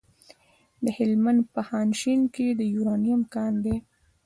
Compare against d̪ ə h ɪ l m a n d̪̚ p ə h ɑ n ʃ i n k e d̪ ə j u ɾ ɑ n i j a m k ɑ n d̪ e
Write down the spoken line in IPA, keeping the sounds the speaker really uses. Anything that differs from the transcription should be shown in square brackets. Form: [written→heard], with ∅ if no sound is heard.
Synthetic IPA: d̪ ə h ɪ l m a n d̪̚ p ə h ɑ n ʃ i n k e d̪ ə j u ɾ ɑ n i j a m k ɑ n d̪ e